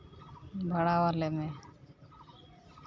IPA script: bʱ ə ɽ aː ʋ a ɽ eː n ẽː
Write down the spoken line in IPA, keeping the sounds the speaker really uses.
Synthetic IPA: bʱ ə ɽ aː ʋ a l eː m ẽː